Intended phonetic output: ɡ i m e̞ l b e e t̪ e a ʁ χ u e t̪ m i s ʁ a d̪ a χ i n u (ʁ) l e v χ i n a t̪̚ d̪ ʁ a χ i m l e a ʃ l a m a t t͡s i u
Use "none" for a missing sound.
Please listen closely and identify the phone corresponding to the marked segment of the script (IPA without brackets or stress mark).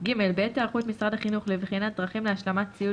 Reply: χ